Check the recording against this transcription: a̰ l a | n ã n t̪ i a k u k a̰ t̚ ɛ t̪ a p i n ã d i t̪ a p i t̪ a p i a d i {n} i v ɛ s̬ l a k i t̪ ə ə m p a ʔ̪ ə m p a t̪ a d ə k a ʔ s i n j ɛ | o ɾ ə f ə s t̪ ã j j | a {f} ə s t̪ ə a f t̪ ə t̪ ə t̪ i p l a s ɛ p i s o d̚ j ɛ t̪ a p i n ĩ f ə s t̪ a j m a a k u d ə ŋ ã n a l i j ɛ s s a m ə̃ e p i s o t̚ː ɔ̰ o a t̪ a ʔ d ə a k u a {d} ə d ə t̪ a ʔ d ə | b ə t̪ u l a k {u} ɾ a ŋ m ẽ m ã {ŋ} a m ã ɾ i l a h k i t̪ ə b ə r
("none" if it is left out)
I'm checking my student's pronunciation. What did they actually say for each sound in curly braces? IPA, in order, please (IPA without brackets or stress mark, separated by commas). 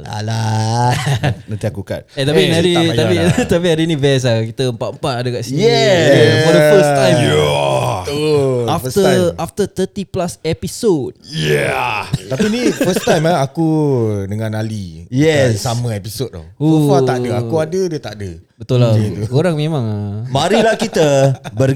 n, f, d, o, ŋ